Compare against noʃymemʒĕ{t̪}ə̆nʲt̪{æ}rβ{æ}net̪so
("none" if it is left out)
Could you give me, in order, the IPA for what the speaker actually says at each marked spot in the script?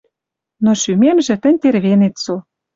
t̪, e, e

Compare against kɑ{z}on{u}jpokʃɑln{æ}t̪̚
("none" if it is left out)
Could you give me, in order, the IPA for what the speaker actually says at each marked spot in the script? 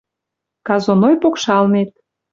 z, o, e

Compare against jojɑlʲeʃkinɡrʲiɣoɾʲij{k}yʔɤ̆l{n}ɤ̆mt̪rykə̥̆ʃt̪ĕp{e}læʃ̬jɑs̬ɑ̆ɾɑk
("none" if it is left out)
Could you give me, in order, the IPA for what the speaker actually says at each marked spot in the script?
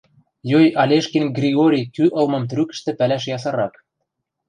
k, m, æ

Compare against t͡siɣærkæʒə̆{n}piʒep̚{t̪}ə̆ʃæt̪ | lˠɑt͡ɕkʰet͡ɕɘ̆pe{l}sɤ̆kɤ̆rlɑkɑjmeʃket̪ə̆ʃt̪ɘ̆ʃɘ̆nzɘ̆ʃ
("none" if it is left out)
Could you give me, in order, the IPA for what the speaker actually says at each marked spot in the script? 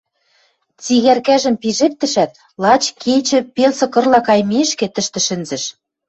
m, t̪, l

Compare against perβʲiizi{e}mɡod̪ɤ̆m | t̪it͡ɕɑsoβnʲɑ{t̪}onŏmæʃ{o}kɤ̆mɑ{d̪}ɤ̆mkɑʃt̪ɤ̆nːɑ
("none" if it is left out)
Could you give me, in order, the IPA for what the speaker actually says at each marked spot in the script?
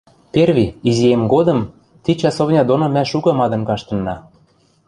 e, d̪, u, d̪

